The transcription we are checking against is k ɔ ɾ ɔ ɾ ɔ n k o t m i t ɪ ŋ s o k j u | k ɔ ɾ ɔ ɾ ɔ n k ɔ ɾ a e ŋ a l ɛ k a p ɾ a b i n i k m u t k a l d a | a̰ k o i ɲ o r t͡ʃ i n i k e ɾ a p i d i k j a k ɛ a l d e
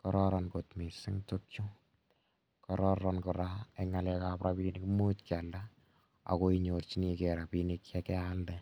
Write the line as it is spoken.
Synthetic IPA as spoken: k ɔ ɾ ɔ ɾ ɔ n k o t m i s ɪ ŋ t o k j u | k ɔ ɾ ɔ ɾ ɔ n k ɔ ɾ a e ŋ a l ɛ k a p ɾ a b i n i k m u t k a l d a | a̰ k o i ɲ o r t͡ʃ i n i k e ɾ a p i n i k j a k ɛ a l d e